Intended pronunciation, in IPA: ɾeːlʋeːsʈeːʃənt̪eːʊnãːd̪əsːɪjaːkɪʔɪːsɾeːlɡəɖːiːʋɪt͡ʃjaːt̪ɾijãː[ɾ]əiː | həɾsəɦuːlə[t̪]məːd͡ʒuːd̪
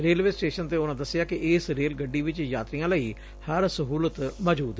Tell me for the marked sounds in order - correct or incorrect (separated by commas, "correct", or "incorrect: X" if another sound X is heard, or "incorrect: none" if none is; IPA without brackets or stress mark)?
incorrect: l, correct